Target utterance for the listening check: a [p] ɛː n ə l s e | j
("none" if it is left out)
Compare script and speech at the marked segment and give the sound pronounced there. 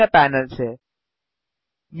p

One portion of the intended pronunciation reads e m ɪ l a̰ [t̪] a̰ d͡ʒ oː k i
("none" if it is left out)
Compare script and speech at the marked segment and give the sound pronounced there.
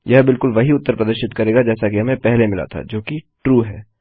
t̪ʰ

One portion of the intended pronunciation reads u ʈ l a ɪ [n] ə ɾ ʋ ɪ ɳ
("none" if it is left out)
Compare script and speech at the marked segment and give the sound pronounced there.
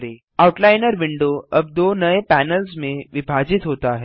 n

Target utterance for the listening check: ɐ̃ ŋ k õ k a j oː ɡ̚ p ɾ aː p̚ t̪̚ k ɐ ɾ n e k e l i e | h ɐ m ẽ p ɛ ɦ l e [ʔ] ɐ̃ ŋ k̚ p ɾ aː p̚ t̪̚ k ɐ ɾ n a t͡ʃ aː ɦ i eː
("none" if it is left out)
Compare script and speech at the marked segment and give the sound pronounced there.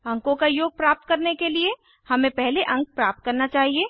ʔ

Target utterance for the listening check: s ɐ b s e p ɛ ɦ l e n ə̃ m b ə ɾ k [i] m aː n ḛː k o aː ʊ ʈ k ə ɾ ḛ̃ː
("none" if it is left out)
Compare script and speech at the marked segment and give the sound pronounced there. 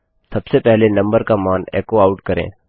a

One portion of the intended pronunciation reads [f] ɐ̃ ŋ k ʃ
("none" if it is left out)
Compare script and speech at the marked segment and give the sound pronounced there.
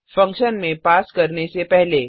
f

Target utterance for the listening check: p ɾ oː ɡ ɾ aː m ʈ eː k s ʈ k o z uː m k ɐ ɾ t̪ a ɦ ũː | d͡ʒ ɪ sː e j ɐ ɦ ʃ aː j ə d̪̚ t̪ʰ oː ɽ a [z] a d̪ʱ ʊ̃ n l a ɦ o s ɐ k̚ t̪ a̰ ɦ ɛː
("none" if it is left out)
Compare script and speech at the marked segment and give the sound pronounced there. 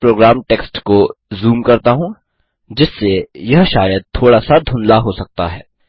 s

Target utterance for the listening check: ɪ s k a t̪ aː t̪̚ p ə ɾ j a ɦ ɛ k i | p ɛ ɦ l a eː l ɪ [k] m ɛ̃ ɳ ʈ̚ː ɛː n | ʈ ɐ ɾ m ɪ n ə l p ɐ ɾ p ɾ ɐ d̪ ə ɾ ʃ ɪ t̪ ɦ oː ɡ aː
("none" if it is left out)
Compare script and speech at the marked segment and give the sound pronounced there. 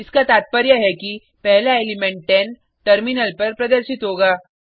none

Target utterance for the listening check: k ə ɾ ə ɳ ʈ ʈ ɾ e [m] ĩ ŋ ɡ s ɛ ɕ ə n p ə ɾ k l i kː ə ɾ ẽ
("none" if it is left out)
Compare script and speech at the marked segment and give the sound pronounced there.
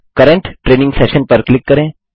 n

